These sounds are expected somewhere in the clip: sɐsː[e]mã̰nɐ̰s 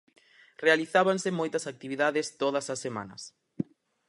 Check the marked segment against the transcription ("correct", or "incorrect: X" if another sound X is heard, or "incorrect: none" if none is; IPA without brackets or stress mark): correct